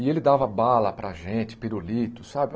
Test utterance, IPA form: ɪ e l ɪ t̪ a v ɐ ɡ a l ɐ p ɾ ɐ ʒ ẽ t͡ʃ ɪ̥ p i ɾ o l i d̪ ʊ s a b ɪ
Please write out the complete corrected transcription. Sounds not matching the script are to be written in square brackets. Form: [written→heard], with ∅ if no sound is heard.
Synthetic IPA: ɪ e l ɪ [t̪→d̪] a v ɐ [ɡ→b] a l ɐ p ɾ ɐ ʒ ẽ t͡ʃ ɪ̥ p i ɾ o l i [d̪→t̪] ʊ s a b ɪ